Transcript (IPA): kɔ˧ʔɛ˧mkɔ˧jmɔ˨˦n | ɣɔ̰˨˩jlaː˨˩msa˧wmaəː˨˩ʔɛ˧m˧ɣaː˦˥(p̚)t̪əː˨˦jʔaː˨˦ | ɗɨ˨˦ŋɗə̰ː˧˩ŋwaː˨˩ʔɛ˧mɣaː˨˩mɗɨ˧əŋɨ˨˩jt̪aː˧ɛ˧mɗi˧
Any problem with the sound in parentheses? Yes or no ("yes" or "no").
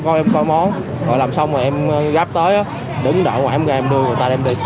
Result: no